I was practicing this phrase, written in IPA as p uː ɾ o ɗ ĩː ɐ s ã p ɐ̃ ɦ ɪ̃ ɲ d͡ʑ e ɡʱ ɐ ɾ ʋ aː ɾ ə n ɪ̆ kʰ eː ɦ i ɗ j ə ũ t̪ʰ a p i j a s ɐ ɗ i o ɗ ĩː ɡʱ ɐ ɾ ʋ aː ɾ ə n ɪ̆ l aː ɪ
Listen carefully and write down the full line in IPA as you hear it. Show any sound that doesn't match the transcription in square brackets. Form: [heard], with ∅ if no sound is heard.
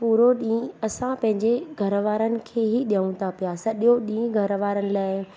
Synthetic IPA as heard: p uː ɾ o ɗ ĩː ɐ s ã p ɐ̃ ɦ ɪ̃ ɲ d͡ʑ e ɡʱ ɐ ɾ ʋ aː ɾ ə n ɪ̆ kʰ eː ɦ i ɗ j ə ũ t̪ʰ a p i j a s ɐ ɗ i o ɗ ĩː ɡʱ ɐ ɾ ʋ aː ɾ ə n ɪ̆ l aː ɪ